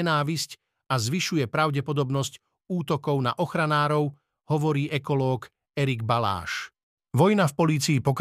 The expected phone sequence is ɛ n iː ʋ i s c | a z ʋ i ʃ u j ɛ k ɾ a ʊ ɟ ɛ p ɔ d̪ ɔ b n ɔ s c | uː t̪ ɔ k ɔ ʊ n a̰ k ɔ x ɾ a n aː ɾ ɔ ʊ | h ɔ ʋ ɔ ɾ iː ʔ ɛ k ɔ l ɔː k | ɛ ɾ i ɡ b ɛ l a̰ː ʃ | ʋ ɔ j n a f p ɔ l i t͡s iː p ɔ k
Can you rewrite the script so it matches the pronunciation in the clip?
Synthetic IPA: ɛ n aː ʋ i s c | a z ʋ i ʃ u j ɛ p ɾ a ʊ ɟ ɛ p ɔ d̪ ɔ b n ɔ s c | uː t̪ ɔ k ɔ ʊ n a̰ ʔ ɔ x ɾ a n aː ɾ ɔ ʊ | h ɔ ʋ ɔ ɾ iː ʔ ɛ k ɔ l ɔː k | ɛ ɾ i ɡ b a l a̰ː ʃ | ʋ ɔ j n a f p ɔ l iː t͡s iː p ɔ k